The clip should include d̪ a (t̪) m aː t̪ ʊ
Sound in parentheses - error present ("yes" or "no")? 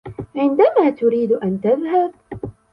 yes